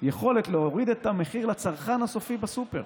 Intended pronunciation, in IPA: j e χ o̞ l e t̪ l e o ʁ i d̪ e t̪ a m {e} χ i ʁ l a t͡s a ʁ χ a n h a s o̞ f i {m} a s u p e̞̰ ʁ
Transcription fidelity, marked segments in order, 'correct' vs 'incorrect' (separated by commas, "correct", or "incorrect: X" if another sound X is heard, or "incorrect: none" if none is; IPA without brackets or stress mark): correct, incorrect: b